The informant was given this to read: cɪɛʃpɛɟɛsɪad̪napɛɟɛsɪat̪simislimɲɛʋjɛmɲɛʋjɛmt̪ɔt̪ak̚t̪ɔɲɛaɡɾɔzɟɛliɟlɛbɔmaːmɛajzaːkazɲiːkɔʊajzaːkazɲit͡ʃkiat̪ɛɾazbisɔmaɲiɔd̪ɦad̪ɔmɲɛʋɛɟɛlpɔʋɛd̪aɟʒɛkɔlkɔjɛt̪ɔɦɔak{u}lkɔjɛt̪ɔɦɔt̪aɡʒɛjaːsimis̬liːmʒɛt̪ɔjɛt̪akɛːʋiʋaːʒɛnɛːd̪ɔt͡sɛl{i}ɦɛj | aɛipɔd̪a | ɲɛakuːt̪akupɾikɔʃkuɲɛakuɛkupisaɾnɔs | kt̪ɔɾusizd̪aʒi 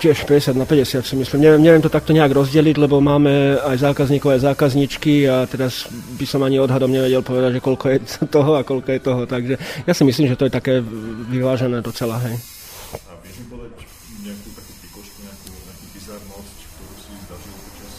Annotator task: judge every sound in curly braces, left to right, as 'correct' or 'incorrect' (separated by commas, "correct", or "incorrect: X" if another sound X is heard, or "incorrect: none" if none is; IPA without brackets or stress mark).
incorrect: ɔ, incorrect: a